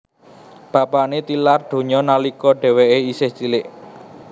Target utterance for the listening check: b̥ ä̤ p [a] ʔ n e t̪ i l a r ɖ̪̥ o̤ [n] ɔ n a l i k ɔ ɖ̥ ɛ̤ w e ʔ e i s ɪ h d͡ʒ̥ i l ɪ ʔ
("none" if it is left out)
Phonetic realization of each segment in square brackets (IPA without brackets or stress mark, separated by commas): a, ɲ